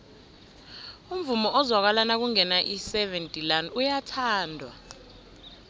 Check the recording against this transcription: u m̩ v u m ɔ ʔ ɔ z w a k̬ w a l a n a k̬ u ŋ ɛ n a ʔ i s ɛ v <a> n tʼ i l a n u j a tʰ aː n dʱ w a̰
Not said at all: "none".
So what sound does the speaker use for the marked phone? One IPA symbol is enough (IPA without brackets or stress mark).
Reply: ɛ